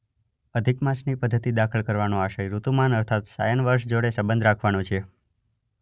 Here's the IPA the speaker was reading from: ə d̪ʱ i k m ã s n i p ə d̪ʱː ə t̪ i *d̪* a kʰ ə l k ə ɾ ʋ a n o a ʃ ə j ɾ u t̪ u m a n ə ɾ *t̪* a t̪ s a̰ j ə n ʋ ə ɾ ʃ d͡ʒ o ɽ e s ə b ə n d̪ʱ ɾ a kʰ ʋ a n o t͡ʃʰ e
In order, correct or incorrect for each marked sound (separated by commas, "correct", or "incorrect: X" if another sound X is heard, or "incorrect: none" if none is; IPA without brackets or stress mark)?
correct, incorrect: t̪ʰ